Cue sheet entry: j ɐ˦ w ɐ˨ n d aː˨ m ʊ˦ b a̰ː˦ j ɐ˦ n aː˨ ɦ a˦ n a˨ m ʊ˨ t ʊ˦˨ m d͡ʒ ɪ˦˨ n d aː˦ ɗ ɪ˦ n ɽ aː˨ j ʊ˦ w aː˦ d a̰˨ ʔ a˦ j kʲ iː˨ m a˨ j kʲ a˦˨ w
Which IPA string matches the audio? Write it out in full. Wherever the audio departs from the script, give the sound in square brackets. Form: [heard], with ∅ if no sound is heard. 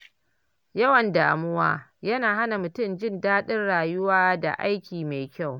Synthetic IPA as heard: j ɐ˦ w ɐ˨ n d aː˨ m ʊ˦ [w] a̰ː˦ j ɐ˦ n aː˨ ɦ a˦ n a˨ m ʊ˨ t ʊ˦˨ m d͡ʒ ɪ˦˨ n d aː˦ ɗ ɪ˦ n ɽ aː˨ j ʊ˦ w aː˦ d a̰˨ ʔ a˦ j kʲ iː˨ m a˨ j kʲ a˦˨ w